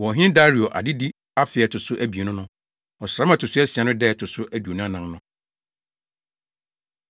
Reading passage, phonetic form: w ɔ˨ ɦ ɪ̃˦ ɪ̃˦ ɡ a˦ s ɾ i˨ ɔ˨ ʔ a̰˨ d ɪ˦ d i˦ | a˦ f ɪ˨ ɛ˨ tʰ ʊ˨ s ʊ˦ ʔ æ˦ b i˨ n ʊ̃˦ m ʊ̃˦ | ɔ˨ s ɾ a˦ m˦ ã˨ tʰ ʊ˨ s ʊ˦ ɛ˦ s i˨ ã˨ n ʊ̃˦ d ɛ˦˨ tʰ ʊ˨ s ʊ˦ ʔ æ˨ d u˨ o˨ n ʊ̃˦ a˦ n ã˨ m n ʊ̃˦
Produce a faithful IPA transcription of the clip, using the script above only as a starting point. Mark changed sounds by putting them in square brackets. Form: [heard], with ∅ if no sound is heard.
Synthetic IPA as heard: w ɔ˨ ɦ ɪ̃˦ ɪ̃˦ [d] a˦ [∅] ɾ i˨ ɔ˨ ʔ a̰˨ d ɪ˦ d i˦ | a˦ f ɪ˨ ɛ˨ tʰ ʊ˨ s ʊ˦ ʔ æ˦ b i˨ n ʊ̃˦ [n] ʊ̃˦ | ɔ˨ s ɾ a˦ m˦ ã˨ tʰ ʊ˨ s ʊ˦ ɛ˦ s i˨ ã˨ n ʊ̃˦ d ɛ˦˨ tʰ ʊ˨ s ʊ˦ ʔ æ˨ d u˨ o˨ n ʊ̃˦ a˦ n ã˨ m n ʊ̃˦